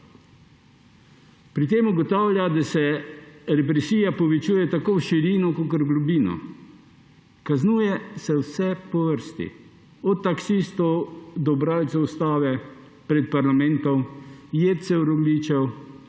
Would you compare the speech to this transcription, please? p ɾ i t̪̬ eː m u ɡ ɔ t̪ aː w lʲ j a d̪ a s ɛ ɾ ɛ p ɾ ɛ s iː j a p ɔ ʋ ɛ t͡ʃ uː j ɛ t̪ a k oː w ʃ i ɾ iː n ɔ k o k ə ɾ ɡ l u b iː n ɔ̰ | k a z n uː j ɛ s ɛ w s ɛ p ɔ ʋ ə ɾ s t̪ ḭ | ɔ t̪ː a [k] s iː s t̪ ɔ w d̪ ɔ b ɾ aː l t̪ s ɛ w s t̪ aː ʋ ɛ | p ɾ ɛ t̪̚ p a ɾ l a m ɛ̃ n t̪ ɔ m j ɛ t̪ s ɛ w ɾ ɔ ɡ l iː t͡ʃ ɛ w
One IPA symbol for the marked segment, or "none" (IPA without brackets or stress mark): k